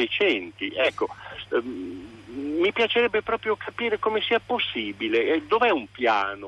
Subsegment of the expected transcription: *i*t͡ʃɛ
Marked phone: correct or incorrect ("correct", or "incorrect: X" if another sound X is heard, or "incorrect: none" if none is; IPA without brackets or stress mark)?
incorrect: e